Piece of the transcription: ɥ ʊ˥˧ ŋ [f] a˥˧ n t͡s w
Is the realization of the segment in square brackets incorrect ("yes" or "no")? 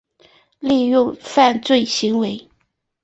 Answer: no